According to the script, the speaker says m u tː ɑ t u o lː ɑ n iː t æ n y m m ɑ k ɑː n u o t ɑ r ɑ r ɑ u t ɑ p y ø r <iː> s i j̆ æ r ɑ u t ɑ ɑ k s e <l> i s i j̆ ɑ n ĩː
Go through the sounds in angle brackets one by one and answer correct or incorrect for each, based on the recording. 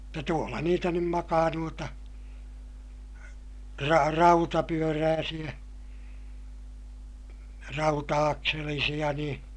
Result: incorrect, correct

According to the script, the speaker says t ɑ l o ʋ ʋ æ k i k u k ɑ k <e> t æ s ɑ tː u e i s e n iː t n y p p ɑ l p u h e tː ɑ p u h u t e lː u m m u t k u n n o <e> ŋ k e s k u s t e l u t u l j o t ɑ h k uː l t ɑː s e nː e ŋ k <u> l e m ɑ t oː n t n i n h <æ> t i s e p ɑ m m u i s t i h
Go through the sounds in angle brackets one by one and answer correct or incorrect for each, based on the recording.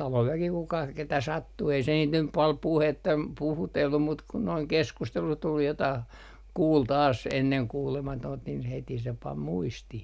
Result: correct, incorrect, incorrect, incorrect

